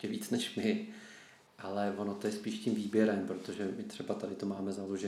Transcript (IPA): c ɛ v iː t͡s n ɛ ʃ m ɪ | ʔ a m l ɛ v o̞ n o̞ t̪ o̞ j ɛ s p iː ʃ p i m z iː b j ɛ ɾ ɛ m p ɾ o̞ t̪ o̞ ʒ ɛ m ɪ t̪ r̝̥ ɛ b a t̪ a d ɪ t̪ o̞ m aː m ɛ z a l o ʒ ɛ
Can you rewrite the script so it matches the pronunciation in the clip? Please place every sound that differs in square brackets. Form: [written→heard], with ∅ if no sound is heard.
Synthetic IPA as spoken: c ɛ v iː t͡s n ɛ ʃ m ɪ | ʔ a [m→∅] l ɛ v o̞ n o̞ t̪ o̞ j ɛ s p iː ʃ [p→c] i m [z→v] iː b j ɛ ɾ ɛ m p ɾ o̞ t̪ o̞ ʒ ɛ m ɪ t̪ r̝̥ ɛ b a t̪ a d ɪ t̪ o̞ m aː m ɛ z a l o ʒ ɛ